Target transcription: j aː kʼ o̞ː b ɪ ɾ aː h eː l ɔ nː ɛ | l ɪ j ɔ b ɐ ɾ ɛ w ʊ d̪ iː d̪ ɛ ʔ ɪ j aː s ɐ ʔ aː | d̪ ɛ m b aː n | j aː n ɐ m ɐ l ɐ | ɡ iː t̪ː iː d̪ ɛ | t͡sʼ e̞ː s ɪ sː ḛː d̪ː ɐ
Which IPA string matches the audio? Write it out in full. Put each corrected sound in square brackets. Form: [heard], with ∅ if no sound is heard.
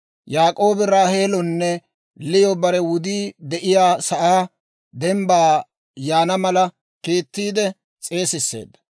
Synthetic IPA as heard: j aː kʼ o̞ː b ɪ ɾ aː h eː l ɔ nː ɛ | l ɪ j ɔ b ɐ ɾ ɛ w ʊ d̪ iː d̪ ɛ ʔ ɪ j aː s ɐ ʔ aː | d̪ ɛ m b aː [∅] | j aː n ɐ m ɐ l ɐ | [k] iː t̪ː iː d̪ ɛ | t͡sʼ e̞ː s ɪ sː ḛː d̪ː ɐ